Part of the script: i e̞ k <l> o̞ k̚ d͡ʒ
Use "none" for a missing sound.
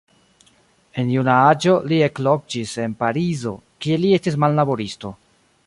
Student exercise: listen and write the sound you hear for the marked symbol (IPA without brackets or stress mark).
l